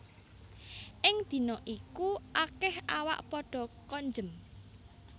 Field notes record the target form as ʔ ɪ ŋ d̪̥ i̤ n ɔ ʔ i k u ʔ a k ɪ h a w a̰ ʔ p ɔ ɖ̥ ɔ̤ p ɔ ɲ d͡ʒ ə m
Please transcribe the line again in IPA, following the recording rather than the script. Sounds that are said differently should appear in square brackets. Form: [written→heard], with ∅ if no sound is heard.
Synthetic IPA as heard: ʔ ɪ ŋ d̪̥ i̤ n ɔ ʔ i k u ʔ a k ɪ h a w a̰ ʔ p ɔ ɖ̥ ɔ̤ [p→k] ɔ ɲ d͡ʒ ə m